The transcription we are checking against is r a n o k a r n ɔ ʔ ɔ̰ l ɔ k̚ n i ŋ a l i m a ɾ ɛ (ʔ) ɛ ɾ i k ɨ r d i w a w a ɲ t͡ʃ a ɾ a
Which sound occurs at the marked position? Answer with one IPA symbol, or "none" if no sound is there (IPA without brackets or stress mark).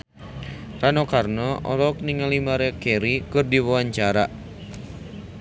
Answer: k